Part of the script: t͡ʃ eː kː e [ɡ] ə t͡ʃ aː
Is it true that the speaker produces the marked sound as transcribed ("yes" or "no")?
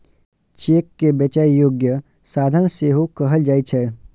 no